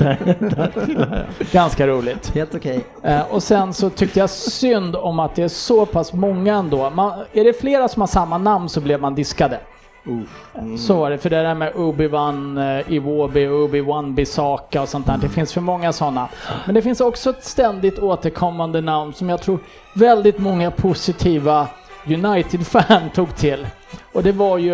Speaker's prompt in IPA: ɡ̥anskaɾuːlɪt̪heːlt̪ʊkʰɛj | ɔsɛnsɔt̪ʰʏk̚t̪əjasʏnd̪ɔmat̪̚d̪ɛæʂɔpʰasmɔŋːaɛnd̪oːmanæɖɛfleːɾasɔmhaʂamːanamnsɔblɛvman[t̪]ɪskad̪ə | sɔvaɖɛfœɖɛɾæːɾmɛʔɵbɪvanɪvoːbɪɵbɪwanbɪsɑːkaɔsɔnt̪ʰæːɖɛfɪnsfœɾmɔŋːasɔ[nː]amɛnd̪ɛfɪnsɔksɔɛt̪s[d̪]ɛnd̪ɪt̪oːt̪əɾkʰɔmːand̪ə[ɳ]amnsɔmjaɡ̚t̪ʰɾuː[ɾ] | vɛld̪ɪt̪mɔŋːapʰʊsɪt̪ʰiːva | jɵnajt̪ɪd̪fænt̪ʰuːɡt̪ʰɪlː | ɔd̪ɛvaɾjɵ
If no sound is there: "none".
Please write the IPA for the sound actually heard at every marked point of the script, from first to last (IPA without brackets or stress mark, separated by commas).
d̪, nː, t̪, n, ɾ